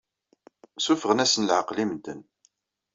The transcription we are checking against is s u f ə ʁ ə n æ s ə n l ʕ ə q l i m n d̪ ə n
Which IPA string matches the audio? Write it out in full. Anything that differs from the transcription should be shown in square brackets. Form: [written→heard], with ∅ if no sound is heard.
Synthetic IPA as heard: s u f ə ʁ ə n æ s ə n l ʕ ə q l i m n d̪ ə n